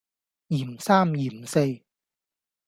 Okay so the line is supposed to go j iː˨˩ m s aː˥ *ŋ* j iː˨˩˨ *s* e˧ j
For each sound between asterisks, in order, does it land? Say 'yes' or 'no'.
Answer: no, yes

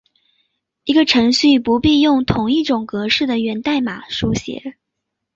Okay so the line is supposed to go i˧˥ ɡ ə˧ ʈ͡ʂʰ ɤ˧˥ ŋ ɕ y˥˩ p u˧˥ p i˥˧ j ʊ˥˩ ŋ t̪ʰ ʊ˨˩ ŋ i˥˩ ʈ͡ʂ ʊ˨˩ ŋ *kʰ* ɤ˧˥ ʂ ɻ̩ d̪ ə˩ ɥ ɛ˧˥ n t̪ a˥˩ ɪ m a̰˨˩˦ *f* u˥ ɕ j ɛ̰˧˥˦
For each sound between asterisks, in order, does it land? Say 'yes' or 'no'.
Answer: no, no

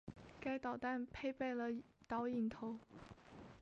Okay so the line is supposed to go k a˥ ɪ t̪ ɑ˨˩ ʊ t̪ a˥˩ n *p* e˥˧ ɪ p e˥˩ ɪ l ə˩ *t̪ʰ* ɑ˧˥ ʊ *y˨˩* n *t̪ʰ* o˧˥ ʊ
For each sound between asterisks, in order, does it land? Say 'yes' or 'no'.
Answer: no, no, no, yes

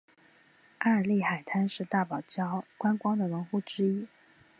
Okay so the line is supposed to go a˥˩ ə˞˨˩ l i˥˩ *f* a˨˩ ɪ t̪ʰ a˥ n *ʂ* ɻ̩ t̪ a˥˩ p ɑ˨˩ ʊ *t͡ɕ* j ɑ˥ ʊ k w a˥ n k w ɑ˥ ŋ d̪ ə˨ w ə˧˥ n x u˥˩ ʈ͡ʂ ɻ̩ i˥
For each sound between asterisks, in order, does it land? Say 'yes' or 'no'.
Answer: no, yes, yes

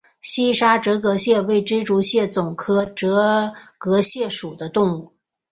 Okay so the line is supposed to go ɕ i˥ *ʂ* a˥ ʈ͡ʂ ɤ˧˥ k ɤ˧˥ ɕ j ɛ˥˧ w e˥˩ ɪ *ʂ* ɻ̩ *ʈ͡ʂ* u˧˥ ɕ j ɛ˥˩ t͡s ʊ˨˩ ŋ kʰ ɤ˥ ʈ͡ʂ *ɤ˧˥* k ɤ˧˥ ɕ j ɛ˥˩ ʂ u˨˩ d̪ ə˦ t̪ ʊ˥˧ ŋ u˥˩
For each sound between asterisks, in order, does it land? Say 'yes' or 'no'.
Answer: yes, no, yes, yes

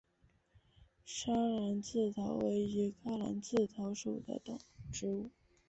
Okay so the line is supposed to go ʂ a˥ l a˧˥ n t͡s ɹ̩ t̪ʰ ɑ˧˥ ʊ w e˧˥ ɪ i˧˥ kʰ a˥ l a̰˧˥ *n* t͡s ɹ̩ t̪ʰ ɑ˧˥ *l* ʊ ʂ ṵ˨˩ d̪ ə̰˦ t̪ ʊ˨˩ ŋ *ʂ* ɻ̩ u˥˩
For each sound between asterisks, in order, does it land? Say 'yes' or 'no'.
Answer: yes, no, no

